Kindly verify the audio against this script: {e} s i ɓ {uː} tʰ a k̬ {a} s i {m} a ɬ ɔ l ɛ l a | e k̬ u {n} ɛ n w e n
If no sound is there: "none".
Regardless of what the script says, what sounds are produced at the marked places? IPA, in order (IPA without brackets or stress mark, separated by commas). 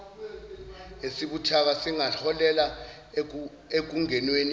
e, u, a, ŋ, ŋ